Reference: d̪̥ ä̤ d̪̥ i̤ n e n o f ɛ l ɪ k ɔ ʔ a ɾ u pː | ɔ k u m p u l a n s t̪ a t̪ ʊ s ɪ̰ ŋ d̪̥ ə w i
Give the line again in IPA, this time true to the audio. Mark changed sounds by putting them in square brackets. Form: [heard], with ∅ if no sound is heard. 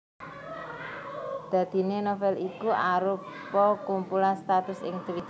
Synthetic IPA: d̪̥ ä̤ d̪̥ i̤ n e n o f ɛ l [i] k [u] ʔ a ɾ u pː | ɔ k u m p u l a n s t̪ a t̪ ʊ s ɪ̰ ŋ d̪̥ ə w i